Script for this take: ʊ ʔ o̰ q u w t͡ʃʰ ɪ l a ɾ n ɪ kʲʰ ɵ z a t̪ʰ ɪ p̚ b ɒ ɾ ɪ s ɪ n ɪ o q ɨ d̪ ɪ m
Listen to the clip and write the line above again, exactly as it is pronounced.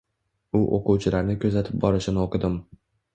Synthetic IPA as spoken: ʊ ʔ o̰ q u w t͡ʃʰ ɪ l a ɾ n ɪ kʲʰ ɵ z a t̪ʰ ɪ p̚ b ɒ ɾ ɪ ʃ ɪ n ɪ o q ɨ d̪ ɪ m